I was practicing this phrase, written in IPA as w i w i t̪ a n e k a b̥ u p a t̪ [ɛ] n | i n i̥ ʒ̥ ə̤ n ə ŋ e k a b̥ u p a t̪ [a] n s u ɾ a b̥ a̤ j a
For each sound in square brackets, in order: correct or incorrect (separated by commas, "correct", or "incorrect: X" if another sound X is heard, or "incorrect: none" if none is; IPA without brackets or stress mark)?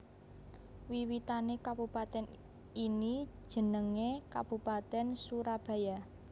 correct, incorrect: ɛ